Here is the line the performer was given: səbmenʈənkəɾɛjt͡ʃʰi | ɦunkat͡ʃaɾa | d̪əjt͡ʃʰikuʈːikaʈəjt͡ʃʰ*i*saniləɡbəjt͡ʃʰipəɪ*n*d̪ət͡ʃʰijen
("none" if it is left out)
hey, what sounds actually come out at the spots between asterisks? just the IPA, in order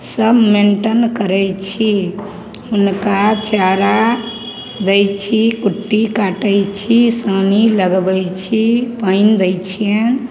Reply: i, n

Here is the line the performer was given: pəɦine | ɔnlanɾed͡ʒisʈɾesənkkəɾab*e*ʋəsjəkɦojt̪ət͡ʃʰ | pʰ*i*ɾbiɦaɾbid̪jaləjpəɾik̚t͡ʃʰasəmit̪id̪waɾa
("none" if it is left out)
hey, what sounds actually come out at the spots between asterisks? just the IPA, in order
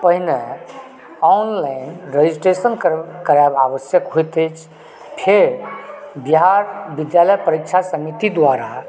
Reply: a, e

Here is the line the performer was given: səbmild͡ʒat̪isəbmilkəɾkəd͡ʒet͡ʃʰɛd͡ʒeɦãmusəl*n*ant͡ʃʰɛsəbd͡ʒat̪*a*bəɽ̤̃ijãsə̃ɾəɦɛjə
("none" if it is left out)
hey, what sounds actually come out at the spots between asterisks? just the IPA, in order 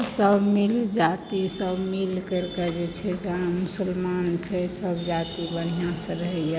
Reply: m, i

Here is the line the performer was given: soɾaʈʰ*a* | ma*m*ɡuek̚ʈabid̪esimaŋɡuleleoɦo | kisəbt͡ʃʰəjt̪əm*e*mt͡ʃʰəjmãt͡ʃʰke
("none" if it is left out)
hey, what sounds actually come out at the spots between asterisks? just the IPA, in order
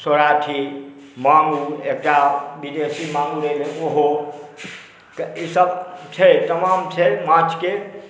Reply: i, ŋ, a

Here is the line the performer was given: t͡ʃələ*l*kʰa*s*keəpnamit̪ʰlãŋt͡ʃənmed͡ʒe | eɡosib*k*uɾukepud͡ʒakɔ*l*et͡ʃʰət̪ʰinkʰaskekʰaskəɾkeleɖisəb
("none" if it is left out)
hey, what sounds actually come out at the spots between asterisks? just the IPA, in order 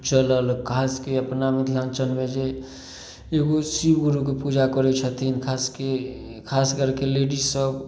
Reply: l, s, ɡ, ɾ

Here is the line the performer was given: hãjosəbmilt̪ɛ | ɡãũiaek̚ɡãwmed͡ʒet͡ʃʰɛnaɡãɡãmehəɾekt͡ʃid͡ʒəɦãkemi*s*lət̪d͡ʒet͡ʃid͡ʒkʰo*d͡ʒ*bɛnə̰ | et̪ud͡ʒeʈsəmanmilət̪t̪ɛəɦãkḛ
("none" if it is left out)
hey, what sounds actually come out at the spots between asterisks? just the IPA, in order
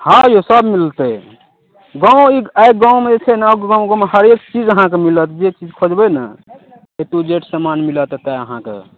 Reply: none, d͡ʒ

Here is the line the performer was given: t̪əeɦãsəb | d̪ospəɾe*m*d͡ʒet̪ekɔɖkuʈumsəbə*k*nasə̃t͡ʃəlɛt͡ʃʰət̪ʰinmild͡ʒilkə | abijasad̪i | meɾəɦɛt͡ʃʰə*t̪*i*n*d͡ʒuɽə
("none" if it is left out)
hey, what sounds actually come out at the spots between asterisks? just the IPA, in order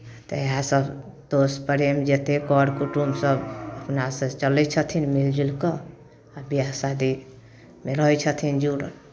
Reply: m, p, t̪ʰ, n

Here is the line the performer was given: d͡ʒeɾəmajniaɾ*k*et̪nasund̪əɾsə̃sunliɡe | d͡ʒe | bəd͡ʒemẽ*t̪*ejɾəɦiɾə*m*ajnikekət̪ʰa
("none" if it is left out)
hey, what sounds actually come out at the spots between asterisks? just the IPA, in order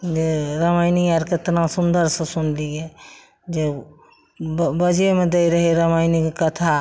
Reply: k, d̪, m

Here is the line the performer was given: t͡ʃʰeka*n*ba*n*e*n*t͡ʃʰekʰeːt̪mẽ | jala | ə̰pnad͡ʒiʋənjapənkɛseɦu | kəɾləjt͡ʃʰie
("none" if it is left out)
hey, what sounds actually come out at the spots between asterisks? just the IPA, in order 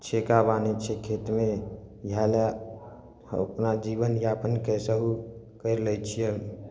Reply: none, n, none

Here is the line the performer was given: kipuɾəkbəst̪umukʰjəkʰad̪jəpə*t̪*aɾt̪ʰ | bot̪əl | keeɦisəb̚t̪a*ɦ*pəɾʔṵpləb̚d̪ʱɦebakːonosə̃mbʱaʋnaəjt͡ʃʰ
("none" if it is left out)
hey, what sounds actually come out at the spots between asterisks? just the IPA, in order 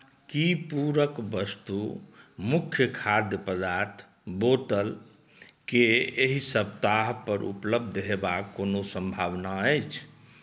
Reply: d̪, ɦ

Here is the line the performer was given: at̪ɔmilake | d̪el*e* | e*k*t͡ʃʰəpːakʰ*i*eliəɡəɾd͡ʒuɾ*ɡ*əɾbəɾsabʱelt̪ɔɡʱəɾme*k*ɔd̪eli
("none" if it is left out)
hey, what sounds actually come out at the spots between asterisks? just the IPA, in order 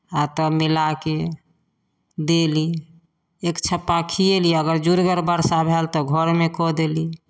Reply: i, k, i, ɡ, k

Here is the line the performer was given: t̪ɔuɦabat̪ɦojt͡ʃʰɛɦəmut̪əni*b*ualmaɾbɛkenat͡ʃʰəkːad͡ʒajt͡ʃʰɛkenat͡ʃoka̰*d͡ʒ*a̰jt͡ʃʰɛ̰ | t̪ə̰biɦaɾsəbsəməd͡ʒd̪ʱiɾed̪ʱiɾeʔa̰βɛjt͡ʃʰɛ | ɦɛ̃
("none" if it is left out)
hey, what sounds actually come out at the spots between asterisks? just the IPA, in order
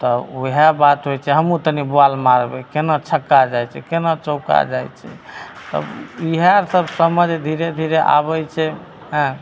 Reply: b, d͡ʒ

